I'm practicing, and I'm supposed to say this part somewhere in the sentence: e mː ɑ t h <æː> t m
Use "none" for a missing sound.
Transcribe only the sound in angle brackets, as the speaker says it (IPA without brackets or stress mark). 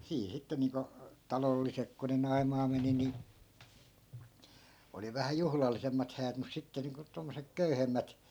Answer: æː